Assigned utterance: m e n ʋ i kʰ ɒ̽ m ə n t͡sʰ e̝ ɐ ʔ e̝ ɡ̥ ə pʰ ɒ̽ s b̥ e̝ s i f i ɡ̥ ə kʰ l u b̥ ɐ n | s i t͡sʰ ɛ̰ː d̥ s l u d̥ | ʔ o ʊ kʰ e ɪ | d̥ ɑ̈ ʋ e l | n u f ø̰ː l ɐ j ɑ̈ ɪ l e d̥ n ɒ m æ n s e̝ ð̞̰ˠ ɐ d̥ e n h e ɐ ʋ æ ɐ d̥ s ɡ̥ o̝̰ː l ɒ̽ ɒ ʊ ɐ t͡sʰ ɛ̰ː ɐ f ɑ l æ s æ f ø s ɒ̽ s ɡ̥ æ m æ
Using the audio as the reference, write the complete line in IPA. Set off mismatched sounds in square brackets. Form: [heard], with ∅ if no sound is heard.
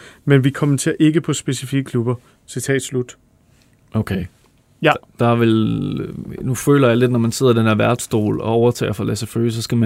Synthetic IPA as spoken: m e n ʋ i kʰ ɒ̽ m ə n t͡sʰ e̝ ɐ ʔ e̝ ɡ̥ ə pʰ ɒ̽ s b̥ e̝ s i f i ɡ̥ ə kʰ l u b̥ ɐ [∅] | s i t͡sʰ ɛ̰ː d̥ s l u d̥ | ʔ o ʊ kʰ e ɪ | d̥ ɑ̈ ʋ e l | n u f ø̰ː l ɐ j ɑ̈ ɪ l e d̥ n ɒ m æ n s e̝ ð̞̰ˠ ɐ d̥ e n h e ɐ ʋ æ ɐ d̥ s [d̥] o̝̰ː l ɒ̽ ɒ ʊ ɐ t͡sʰ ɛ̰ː ɐ f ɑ l æ s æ f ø s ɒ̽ s ɡ̥ æ m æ